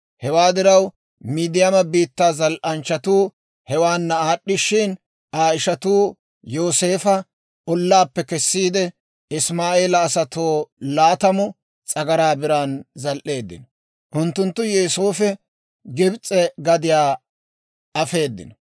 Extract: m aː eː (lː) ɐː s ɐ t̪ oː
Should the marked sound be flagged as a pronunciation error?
yes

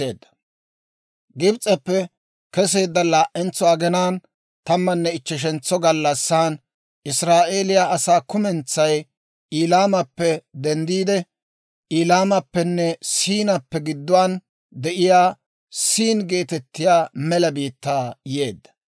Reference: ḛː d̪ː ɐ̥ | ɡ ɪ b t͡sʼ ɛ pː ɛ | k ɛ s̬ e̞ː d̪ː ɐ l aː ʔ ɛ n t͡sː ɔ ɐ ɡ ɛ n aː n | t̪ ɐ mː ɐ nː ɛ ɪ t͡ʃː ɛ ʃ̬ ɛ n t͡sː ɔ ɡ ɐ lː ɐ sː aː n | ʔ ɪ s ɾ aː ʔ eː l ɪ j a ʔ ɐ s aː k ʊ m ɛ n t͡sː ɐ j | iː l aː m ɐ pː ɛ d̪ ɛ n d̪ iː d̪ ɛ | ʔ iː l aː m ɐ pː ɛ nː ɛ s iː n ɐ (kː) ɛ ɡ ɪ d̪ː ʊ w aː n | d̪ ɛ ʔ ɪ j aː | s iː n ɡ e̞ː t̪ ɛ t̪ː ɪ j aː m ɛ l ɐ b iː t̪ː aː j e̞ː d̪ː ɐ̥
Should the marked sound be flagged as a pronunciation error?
yes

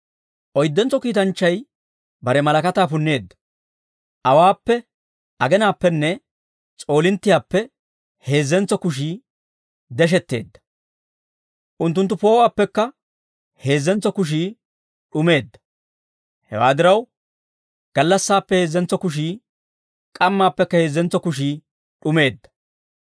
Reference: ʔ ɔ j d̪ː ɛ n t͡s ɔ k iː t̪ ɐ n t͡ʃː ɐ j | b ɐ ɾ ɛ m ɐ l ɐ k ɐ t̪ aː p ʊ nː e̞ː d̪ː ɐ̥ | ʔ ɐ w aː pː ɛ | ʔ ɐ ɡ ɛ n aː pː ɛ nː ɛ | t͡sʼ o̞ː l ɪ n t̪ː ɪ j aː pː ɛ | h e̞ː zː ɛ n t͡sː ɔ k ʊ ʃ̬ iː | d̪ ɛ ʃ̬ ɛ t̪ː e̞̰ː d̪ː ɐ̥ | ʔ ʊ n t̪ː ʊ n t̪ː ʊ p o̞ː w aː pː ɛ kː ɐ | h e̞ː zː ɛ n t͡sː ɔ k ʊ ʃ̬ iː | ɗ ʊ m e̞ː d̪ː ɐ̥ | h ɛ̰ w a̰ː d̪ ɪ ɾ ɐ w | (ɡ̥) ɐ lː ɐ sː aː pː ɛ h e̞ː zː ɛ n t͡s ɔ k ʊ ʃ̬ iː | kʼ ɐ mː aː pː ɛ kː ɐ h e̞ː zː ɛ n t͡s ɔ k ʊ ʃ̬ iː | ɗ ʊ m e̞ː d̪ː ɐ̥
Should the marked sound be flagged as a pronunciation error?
no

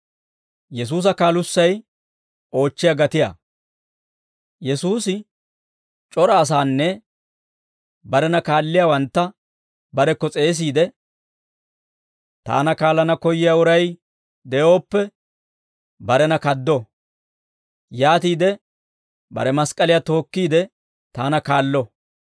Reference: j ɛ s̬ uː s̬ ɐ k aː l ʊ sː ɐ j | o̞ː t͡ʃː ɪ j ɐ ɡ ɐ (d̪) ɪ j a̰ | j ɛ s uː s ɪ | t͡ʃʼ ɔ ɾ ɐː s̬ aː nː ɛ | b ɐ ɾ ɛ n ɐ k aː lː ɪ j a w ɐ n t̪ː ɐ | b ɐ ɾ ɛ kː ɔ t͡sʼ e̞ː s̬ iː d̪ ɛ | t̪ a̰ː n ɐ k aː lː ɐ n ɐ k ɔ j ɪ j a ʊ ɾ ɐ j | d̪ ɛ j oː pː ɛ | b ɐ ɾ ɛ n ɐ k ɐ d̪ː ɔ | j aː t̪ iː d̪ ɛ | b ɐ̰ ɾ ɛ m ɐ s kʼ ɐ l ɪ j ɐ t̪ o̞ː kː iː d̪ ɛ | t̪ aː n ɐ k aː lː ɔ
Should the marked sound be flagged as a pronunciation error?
yes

